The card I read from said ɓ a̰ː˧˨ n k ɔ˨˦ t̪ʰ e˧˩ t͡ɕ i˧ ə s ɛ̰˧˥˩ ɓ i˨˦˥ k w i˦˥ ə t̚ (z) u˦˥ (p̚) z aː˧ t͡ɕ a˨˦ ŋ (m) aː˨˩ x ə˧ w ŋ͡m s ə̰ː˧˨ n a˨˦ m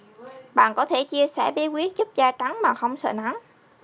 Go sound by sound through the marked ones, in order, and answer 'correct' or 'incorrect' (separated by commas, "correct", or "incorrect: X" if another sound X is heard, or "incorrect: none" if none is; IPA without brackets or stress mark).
correct, correct, correct